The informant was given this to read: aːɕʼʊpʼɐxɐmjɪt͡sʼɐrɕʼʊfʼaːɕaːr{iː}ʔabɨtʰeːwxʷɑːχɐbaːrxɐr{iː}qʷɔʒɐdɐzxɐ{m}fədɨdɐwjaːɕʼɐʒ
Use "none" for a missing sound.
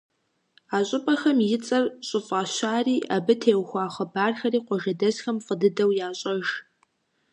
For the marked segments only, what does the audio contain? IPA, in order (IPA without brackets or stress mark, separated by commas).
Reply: iː, iː, m